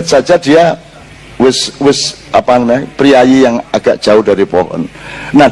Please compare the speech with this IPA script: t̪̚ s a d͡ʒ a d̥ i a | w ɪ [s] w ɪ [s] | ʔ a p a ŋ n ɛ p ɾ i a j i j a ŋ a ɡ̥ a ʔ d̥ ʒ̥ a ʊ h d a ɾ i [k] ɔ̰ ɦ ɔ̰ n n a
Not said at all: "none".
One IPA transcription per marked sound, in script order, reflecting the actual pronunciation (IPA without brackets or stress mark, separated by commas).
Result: s, s, p